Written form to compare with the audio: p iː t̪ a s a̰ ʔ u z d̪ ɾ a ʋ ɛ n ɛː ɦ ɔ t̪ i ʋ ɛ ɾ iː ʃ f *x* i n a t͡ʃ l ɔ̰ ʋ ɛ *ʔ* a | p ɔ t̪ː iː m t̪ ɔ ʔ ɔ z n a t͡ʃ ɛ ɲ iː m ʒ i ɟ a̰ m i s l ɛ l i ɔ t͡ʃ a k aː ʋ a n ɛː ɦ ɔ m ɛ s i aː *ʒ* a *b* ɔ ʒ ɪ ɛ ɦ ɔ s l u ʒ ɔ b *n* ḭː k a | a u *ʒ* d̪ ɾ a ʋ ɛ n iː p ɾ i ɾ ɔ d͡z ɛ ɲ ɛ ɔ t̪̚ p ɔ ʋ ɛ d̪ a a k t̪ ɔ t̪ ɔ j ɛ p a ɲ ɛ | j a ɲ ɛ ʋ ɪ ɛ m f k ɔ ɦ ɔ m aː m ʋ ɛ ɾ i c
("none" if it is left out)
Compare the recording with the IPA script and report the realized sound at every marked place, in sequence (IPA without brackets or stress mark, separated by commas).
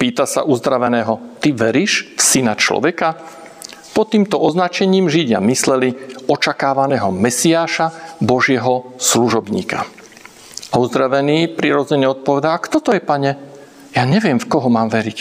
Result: s, k, ʃ, b, ɲ, z